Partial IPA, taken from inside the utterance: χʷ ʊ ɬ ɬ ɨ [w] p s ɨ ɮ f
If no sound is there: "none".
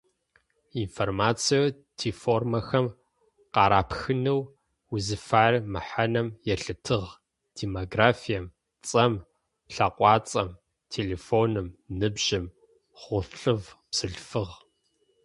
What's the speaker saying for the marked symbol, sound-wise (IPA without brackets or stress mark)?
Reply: v